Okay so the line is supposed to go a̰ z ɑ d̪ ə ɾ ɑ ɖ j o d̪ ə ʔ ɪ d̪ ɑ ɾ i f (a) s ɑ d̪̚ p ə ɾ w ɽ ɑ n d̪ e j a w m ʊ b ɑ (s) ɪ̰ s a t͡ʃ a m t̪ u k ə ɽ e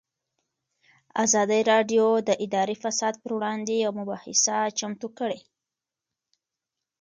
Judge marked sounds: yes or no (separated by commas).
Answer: yes, no